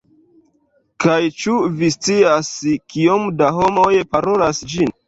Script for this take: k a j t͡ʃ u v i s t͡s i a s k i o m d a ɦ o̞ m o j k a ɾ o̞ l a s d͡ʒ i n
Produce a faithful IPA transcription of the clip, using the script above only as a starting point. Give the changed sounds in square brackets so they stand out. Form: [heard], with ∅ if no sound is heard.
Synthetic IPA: k a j t͡ʃ u v i s t͡s i a s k i o m d a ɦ o̞ m o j [p] a ɾ o̞ l a s d͡ʒ i n